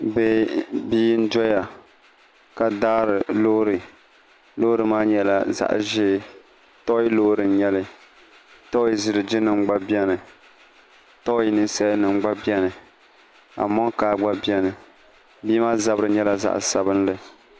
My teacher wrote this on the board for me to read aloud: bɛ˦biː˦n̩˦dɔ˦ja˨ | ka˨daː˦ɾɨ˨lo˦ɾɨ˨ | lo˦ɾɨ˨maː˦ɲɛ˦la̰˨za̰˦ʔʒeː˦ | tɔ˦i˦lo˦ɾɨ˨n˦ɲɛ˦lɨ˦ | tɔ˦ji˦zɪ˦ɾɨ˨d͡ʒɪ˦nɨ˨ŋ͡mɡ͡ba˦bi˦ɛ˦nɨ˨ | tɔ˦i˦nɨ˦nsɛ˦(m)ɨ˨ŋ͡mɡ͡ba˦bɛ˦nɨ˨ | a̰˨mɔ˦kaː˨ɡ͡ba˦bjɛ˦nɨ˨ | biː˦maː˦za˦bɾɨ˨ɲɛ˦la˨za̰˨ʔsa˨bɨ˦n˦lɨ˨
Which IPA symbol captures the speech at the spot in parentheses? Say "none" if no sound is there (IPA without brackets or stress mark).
n